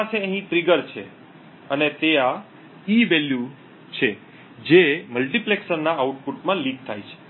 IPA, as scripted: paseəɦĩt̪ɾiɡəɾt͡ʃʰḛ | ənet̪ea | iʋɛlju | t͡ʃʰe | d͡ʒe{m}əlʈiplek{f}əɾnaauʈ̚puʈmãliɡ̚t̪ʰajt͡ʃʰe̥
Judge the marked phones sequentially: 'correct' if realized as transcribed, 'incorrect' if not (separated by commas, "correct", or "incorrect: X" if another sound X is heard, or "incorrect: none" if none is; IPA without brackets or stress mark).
correct, incorrect: s